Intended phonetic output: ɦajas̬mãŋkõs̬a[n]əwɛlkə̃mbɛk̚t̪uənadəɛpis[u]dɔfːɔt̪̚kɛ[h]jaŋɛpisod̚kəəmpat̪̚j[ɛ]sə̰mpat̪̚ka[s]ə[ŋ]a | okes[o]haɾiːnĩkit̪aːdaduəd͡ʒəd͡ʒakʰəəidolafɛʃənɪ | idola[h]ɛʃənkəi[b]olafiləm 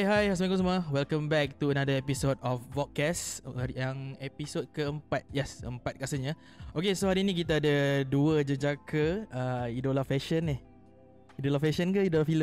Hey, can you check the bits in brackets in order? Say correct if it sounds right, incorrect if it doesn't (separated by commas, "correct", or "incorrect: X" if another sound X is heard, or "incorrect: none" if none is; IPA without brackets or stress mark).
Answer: incorrect: m, incorrect: o, incorrect: s, correct, correct, incorrect: ɲ, correct, incorrect: f, incorrect: d